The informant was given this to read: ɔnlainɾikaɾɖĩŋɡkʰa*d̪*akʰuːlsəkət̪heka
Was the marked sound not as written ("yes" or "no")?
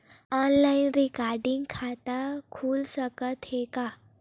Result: yes